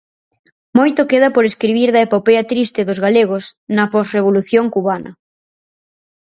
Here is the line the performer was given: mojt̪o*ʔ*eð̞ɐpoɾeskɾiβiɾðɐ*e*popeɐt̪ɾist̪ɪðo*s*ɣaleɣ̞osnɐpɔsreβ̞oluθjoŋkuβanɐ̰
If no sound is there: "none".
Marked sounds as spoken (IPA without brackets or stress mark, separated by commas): k, e, z